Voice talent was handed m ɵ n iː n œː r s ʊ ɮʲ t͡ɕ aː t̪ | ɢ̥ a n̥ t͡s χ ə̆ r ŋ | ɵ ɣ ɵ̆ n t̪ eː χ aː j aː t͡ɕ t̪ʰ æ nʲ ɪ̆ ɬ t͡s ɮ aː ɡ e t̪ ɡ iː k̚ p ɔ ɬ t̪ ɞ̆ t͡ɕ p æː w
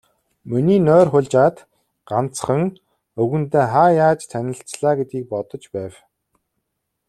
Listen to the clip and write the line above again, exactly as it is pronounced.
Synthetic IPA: m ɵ n iː n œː r χ ʊ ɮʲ t͡ɕ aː t̪ | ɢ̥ a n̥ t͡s χ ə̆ ŋ | ɵ ɣ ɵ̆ n t̪ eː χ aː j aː t͡ɕ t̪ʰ æ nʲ ɪ̆ ɬ t͡s ɮ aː ɡ e t̪ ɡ iː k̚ p ɔ t̪ ɞ̆ t͡ɕ p æː w